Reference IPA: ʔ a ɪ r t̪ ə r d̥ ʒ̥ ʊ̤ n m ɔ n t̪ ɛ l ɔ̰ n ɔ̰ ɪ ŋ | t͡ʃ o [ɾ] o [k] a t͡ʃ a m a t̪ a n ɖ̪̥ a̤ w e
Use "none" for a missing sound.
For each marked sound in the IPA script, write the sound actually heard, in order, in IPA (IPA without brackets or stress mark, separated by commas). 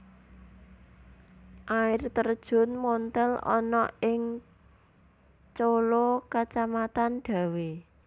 l, k